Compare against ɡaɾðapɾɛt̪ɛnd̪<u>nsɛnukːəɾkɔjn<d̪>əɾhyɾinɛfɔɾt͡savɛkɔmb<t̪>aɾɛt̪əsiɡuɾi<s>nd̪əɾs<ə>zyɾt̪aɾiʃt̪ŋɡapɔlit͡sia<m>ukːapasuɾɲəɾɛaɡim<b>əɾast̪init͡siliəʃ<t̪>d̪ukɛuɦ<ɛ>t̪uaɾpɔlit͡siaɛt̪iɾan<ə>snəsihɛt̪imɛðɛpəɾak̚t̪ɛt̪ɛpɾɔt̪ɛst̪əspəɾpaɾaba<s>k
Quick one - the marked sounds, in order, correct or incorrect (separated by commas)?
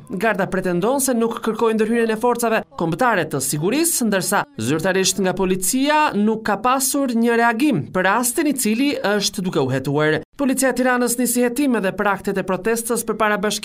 incorrect, correct, correct, correct, incorrect, incorrect, incorrect, correct, correct, correct, incorrect